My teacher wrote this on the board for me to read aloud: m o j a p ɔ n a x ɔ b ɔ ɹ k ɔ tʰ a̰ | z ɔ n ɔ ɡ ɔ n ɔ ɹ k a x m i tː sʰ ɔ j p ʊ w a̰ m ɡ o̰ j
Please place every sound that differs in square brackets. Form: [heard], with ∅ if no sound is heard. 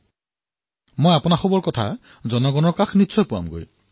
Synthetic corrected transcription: m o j a p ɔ n a x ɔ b ɔ ɹ k ɔ tʰ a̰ | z ɔ n ɔ ɡ ɔ n ɔ ɹ k a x [n] i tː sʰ ɔ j p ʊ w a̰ m ɡ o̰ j